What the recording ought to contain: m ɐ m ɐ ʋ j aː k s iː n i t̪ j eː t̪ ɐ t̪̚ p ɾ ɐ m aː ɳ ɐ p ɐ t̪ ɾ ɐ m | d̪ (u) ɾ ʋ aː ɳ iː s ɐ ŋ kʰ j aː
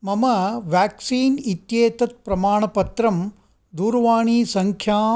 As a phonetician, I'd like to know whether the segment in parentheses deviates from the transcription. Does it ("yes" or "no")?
yes